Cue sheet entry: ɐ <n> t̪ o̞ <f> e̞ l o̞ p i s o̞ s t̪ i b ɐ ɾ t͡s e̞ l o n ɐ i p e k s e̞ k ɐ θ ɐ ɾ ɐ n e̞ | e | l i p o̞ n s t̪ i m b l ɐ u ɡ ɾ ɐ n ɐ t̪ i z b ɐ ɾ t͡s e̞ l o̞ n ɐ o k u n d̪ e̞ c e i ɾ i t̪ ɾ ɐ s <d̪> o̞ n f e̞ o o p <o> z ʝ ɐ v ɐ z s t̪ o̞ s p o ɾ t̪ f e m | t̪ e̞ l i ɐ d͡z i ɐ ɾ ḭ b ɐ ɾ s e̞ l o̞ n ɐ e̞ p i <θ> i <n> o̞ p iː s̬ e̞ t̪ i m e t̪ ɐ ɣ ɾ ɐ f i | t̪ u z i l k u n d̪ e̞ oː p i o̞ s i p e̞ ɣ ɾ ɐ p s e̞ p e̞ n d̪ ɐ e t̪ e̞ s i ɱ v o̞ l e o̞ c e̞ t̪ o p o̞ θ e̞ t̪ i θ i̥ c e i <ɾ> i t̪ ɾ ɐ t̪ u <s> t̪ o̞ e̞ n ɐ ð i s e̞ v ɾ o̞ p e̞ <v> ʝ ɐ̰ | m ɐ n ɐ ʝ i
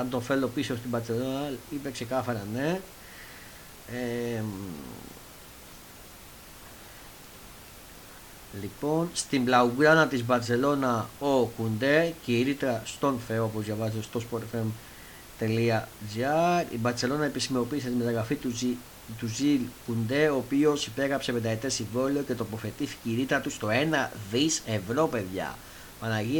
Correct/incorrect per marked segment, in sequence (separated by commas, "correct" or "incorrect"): correct, correct, incorrect, correct, incorrect, incorrect, correct, correct, incorrect